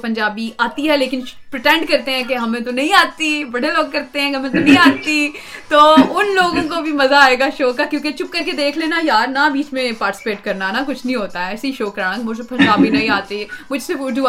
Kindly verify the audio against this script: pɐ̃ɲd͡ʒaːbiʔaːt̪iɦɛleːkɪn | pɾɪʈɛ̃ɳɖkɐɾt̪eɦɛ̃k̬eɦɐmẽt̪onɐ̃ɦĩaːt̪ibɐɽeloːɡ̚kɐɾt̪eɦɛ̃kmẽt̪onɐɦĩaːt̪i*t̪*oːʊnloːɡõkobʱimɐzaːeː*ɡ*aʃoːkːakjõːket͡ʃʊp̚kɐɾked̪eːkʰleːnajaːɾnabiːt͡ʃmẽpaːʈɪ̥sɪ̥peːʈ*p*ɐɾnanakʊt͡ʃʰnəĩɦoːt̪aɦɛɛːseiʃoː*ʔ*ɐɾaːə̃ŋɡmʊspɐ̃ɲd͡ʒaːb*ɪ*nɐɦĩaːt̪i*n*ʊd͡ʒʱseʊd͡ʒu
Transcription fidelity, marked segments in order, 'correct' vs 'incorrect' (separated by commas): correct, correct, incorrect, incorrect, incorrect, incorrect